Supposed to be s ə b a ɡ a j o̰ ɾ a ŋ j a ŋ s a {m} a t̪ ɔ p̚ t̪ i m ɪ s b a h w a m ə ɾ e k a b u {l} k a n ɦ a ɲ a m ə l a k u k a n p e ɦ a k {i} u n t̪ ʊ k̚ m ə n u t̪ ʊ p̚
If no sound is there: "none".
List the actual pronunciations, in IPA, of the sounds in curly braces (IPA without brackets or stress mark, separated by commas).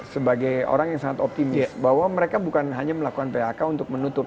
ŋ, none, a